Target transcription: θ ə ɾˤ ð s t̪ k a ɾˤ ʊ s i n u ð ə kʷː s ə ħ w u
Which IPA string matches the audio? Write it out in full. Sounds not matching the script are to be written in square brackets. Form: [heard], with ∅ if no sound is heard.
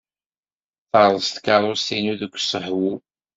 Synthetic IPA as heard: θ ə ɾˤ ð s t̪ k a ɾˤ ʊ s i n u ð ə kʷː s ə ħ w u

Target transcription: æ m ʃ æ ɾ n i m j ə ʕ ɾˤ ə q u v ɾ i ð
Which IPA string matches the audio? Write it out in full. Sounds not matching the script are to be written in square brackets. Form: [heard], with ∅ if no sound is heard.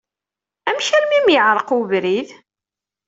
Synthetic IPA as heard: æ m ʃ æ ɾ [m] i m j ə ʕ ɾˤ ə q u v ɾ i ð

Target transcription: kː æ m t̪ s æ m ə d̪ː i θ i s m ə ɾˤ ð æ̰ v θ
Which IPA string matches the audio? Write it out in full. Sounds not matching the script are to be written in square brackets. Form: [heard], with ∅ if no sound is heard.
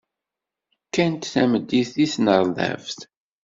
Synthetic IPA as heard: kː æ [n] t̪ [θ] æ m ə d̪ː i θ i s [n] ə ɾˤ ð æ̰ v θ

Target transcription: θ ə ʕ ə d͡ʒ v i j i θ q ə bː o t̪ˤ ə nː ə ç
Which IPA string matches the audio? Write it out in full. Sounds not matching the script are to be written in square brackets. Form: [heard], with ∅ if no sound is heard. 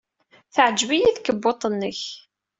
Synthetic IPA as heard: θ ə ʕ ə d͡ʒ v i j i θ [k] ə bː o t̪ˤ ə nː ə ç

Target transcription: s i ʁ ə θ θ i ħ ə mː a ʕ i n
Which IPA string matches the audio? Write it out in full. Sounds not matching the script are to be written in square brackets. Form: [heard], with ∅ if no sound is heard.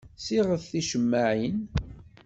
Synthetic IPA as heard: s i ʁ ə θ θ i [ʃ] ə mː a ʕ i n

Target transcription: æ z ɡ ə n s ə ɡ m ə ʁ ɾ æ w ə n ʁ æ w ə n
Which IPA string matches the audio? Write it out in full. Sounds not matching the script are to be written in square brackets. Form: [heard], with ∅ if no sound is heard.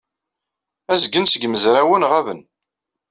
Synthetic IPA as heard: æ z ɡ ə n s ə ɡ m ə [z] ɾ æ w ə n ʁ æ [v] ə n

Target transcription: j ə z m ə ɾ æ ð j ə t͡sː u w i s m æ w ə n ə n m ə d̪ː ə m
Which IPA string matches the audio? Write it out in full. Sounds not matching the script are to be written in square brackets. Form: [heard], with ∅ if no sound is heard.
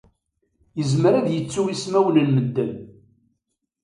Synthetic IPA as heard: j ə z m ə ɾ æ ð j ə t͡sː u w i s m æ w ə n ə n m ə d̪ː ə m

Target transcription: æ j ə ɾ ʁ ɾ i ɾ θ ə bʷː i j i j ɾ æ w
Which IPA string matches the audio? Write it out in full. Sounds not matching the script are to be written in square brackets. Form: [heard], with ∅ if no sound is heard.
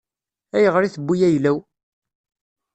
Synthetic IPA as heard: æ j ə [∅] ʁ ɾ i [∅] θ ə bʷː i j [æ] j [l] æ w

